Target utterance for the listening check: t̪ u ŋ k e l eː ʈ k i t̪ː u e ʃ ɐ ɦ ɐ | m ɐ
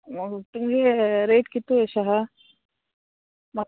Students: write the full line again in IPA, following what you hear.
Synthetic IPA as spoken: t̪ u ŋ ɡ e ɾ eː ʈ k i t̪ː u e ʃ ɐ ɦ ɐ | m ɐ